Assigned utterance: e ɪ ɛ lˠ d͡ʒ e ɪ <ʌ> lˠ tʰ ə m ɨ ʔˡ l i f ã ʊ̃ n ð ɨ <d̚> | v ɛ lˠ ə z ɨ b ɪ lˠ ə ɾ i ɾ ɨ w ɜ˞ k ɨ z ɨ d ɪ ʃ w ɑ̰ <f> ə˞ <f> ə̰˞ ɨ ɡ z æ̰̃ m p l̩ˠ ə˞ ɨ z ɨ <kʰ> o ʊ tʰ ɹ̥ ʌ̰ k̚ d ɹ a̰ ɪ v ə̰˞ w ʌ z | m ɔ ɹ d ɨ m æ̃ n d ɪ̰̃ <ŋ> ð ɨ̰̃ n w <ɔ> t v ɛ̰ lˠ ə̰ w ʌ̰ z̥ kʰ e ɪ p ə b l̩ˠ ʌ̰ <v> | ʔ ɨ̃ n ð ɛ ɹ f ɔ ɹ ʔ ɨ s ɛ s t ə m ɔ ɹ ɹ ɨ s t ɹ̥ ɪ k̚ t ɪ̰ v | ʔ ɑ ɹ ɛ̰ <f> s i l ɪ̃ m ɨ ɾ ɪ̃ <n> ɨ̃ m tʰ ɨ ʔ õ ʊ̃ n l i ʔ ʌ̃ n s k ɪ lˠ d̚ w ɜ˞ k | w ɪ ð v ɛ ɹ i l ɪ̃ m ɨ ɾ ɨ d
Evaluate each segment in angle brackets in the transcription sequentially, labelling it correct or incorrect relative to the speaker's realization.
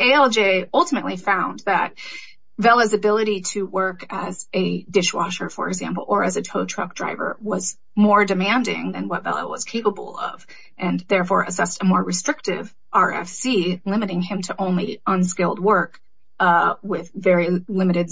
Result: correct, incorrect: t̚, incorrect: ʃ, correct, incorrect: tʰ, correct, incorrect: ʌ, correct, correct, incorrect: ŋ

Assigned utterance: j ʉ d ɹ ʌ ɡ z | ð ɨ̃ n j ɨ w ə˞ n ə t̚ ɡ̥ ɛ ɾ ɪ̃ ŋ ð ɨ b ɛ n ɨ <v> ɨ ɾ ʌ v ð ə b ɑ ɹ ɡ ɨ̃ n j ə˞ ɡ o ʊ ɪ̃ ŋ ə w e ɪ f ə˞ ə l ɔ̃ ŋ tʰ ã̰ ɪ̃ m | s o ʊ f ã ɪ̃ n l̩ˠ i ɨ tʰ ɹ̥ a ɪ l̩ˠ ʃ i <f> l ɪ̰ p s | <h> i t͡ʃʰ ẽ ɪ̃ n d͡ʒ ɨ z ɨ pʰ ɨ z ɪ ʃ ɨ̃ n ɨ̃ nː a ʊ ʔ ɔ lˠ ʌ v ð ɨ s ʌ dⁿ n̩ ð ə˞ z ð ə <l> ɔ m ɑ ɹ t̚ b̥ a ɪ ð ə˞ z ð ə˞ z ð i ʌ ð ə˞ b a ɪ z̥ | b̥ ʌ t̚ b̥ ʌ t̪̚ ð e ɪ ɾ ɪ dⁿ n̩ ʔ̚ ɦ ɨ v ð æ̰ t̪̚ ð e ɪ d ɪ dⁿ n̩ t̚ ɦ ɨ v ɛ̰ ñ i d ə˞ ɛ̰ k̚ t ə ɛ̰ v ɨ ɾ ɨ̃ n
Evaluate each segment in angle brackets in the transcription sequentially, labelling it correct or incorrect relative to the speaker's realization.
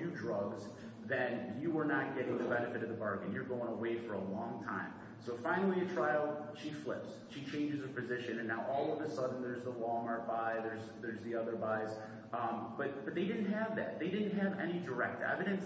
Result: incorrect: f, correct, incorrect: ʃ, correct

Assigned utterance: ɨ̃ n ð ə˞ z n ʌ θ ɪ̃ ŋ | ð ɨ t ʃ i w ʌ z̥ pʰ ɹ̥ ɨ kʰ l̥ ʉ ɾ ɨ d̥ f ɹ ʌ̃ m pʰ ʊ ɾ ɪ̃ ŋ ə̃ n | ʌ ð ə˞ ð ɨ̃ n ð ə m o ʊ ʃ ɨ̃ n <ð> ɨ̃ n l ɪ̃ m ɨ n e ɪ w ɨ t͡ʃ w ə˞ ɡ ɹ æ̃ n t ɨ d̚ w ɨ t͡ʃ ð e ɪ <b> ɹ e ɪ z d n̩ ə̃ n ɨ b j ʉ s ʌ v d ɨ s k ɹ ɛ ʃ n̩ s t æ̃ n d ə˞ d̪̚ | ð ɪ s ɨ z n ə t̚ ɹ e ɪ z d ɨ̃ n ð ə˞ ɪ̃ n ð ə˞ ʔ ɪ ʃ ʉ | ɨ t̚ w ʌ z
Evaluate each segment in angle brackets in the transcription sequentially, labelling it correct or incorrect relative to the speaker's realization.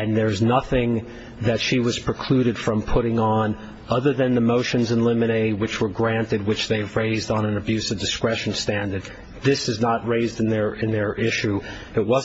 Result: incorrect: z, incorrect: v

